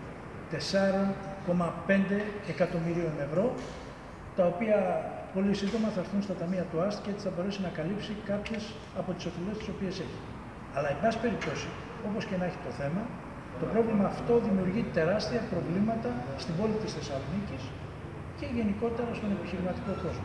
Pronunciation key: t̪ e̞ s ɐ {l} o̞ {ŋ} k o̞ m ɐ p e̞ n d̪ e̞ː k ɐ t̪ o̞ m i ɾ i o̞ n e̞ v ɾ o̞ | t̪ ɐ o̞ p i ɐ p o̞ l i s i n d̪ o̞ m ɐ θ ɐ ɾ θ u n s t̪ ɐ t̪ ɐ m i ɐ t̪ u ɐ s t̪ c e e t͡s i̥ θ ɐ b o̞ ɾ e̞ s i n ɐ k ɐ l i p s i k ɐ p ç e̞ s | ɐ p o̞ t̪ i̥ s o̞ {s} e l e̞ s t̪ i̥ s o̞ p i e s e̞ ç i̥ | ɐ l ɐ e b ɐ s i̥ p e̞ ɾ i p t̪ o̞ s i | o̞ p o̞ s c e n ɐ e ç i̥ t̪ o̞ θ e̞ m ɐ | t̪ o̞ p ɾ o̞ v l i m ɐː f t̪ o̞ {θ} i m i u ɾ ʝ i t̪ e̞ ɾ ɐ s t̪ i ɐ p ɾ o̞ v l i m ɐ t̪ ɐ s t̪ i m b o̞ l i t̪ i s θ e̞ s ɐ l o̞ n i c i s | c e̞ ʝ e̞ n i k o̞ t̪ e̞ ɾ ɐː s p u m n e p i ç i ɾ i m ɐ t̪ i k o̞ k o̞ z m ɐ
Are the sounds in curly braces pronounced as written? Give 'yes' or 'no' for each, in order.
no, no, no, no

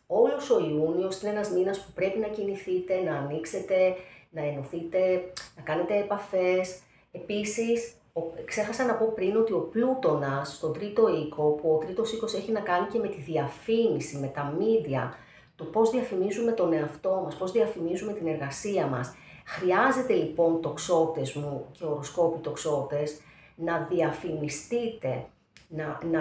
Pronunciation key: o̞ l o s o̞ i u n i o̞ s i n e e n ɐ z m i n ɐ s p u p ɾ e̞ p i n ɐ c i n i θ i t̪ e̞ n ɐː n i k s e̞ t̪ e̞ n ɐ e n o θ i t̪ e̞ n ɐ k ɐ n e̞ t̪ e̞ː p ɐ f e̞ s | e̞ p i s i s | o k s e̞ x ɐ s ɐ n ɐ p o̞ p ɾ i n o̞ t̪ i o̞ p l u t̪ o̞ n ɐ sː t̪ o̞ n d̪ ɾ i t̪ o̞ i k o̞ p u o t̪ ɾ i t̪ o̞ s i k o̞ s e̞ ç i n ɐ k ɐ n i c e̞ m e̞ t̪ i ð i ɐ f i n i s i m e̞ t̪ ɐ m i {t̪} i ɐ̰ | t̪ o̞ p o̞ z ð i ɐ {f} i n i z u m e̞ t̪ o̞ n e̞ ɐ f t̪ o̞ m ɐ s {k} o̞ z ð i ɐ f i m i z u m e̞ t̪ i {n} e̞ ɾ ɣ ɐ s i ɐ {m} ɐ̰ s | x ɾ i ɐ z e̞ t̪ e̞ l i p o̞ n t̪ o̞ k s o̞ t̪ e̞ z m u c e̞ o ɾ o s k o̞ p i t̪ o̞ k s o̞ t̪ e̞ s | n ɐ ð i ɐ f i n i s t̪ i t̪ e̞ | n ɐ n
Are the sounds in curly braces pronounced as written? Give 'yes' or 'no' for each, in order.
no, yes, no, yes, yes

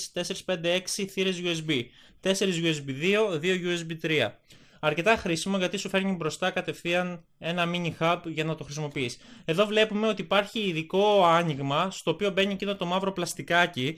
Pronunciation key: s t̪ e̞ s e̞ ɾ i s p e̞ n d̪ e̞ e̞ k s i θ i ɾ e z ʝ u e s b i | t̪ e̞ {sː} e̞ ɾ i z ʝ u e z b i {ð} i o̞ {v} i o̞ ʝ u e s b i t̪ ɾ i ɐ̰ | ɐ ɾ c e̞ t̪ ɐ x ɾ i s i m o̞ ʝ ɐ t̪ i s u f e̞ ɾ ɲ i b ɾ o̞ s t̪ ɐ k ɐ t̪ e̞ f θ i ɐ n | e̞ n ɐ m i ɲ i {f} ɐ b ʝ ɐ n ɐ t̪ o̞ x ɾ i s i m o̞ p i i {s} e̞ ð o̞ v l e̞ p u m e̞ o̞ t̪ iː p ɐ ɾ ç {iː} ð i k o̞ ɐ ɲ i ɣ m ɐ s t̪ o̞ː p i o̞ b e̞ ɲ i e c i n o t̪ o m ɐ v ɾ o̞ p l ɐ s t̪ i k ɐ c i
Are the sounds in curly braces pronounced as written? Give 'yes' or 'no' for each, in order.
no, yes, no, no, yes, yes

